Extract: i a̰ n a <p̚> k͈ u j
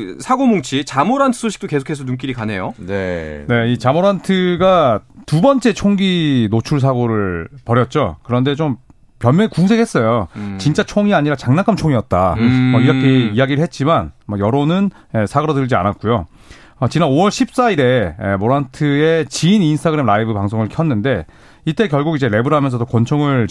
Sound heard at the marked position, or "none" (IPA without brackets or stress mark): t̚